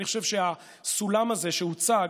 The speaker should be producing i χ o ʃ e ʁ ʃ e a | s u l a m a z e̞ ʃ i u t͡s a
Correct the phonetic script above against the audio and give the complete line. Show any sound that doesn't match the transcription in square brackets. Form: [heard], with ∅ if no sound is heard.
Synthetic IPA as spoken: i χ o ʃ e [v] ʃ e a | s u l a m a z e̞ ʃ [e] u t͡s a